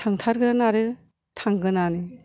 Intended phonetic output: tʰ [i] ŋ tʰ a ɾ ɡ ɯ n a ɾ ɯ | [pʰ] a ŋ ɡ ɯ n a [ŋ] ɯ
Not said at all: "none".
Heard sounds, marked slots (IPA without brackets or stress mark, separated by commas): a, tʰ, n